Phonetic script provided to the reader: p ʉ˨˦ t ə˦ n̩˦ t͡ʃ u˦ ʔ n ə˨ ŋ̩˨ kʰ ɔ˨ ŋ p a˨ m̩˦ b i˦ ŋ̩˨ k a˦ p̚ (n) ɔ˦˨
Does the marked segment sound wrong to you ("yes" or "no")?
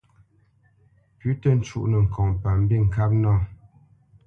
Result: no